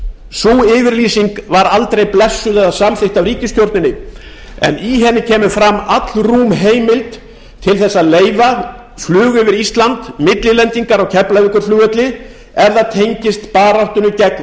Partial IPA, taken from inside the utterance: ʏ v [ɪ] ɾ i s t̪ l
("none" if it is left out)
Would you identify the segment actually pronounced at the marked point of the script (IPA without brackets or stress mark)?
ɪ